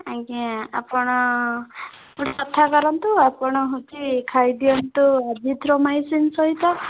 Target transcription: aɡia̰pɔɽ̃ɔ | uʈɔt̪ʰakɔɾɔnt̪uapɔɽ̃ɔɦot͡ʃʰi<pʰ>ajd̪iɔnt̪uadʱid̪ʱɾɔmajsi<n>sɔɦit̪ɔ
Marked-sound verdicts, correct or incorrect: incorrect: kʰ, correct

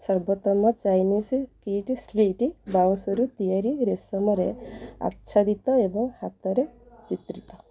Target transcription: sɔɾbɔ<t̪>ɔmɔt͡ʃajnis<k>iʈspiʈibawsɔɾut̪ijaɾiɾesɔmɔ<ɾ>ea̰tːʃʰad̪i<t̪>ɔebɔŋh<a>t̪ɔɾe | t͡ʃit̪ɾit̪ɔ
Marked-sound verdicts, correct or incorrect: correct, correct, correct, correct, correct

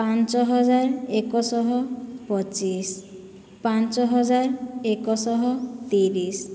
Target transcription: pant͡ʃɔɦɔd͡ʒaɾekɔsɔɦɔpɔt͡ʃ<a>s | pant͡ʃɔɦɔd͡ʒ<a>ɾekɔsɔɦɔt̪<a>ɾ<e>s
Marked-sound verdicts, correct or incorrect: incorrect: i, correct, incorrect: i, incorrect: i

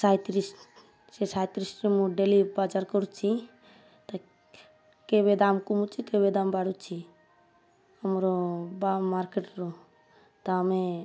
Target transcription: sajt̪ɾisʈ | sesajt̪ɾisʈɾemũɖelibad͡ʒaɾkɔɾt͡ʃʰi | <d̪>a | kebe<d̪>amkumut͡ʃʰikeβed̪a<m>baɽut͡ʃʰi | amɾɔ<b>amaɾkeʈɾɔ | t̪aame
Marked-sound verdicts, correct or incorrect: incorrect: t̪, correct, correct, correct

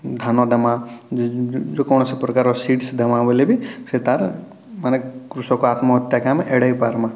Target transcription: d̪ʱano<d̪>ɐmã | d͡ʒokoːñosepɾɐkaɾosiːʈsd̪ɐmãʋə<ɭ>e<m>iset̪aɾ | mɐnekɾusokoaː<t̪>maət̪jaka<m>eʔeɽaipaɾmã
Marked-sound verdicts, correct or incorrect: correct, incorrect: l, incorrect: b, correct, correct

